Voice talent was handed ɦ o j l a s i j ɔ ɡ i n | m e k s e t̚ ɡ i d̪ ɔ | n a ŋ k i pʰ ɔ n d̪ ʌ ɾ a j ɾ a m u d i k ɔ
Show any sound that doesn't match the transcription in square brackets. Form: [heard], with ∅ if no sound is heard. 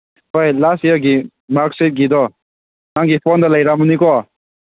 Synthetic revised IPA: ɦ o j l a s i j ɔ ɡ i [∅] | m [a] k s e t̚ ɡ i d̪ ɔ | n a ŋ [ɡ] i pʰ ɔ n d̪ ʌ [l] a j ɾ a m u [n] i k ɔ